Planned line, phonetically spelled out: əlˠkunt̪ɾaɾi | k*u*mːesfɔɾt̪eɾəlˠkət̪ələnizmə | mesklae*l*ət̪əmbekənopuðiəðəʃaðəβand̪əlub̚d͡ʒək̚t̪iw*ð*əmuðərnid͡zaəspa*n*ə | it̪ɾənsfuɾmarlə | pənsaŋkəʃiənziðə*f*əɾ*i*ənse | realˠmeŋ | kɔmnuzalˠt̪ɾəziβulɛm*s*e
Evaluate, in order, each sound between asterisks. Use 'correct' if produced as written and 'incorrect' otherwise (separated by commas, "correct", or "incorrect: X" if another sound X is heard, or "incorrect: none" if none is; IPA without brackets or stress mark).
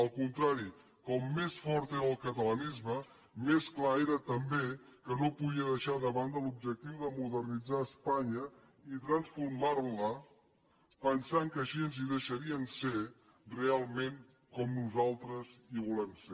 incorrect: ɔ, incorrect: ɾ, correct, incorrect: ɲ, incorrect: ʃ, correct, correct